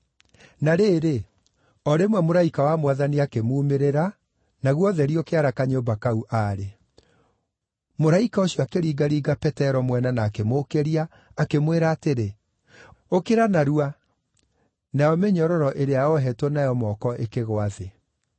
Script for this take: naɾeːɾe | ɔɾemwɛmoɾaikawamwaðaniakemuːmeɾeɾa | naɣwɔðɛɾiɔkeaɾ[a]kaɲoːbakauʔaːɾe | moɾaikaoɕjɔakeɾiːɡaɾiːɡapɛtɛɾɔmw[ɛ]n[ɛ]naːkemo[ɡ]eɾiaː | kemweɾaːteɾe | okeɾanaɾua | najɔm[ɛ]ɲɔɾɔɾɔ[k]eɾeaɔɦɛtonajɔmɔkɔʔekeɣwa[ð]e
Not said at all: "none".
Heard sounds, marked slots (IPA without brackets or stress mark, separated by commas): a, ɛ, a, k, e, ʔ, ð